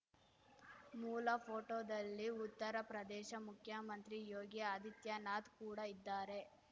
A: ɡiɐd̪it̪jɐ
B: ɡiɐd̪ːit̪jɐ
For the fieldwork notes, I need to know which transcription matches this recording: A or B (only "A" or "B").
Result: A